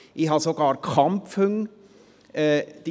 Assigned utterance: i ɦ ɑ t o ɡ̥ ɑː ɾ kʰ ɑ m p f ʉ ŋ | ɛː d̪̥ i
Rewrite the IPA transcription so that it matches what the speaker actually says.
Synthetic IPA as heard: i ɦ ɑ s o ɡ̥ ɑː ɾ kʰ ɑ m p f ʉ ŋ | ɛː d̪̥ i